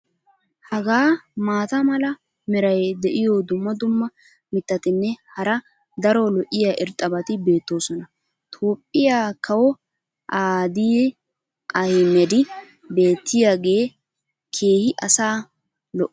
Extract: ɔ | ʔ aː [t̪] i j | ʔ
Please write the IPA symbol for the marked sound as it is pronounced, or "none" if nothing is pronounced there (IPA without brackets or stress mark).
d̪